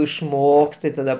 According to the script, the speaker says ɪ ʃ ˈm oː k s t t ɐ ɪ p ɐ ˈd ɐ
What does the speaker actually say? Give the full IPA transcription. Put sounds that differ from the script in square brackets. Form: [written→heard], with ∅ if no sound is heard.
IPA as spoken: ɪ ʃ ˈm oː k s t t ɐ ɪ [p→t] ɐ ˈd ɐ